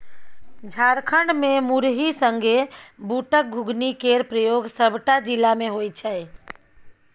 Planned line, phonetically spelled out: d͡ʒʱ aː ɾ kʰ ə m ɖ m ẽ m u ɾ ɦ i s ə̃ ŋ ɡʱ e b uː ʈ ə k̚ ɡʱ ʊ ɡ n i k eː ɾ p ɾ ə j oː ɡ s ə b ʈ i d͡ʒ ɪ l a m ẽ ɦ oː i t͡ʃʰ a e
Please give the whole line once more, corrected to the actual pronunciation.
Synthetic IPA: d͡ʒʱ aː ɾ kʰ ə ɳ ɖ m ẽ m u ɾ ɦ i s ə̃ ŋ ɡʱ e b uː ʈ ə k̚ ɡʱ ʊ ɡ n i k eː ɾ p ɾ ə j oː ɡ s ə b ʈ a d͡ʒ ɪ l a m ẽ ɦ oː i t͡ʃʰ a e